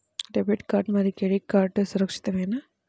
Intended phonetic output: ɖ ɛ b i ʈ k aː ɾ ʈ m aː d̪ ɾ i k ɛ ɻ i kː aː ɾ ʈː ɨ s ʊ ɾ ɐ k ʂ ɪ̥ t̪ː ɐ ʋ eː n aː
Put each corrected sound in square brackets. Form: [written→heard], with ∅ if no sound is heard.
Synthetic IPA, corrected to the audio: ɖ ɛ b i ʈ k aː ɾ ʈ m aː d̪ ɾ i k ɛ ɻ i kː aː ɾ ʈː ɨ s ʊ ɾ ɐ k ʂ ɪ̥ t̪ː ɐ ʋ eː n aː